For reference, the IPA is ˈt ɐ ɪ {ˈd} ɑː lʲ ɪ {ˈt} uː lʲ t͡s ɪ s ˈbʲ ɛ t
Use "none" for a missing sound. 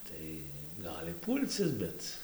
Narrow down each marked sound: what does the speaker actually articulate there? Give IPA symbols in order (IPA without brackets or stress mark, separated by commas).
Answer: ɡ, p